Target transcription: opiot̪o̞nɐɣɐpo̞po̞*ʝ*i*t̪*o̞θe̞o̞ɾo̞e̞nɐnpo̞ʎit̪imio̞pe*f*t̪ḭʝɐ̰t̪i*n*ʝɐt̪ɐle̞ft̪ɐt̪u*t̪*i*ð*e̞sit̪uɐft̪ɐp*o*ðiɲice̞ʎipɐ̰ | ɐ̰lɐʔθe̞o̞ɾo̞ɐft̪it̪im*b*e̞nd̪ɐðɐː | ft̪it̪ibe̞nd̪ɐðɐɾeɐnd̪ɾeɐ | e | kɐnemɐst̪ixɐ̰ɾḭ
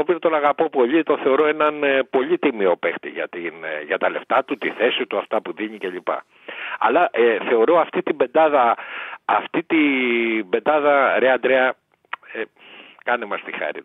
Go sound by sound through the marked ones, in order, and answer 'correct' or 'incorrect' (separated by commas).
incorrect, correct, incorrect, correct, correct, incorrect, incorrect, correct